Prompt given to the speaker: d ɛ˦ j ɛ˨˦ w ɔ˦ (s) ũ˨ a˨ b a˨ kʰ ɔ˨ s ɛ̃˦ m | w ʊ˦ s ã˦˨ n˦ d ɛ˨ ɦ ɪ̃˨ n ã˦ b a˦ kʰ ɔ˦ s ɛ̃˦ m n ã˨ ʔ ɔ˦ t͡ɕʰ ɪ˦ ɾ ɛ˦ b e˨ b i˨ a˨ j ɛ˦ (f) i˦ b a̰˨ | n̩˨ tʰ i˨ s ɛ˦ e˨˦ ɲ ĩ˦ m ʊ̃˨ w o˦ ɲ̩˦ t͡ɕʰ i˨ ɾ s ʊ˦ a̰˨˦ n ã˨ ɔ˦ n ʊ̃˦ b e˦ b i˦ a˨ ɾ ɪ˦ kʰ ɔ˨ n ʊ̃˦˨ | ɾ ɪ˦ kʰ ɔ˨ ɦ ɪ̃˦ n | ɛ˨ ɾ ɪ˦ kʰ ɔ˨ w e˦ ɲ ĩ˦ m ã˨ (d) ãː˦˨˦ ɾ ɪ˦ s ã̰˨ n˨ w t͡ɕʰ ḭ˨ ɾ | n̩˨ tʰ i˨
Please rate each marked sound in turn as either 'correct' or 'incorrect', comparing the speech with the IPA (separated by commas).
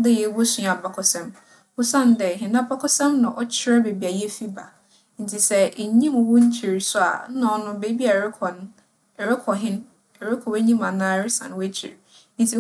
correct, correct, incorrect